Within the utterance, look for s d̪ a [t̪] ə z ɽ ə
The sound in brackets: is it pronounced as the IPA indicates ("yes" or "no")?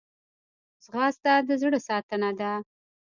no